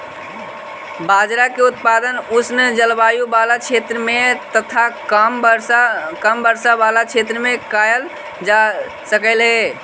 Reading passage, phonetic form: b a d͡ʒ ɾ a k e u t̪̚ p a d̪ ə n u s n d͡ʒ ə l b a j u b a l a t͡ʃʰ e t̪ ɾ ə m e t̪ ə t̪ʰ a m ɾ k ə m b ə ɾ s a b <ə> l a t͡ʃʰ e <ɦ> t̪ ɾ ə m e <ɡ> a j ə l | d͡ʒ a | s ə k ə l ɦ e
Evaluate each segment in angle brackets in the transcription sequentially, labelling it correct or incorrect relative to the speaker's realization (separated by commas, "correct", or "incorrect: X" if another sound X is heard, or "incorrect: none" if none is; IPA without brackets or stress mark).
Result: incorrect: a, incorrect: none, incorrect: k